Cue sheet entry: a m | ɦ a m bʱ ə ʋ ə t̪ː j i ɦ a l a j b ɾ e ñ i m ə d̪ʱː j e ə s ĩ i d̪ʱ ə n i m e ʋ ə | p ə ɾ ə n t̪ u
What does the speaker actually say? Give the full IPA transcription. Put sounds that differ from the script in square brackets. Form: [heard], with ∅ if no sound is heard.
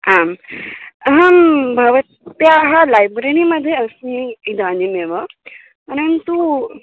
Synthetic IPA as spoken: a m | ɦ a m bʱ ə ʋ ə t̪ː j [a] ɦ a l a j b ɾ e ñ i m ə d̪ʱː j e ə s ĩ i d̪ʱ [a] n i m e ʋ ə | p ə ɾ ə n t̪ u